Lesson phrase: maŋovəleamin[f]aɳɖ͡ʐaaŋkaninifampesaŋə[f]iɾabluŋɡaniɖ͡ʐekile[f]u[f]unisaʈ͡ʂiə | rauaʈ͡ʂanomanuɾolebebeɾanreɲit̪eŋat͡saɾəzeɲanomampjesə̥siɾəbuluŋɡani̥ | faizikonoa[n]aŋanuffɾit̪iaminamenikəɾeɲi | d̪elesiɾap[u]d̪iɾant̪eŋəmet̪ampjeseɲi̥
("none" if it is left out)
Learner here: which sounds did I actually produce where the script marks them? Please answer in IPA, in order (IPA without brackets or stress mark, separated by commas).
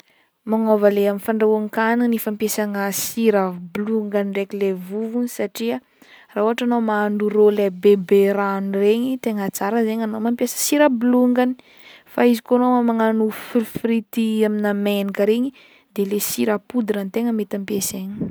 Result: f, s, v, v, m, u